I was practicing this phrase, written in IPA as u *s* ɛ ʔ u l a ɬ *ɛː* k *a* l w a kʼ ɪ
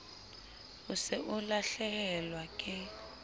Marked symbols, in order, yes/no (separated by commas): yes, no, no